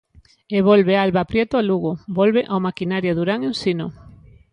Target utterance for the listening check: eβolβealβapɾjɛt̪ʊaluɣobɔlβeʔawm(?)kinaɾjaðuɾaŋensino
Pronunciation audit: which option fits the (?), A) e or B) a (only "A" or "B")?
B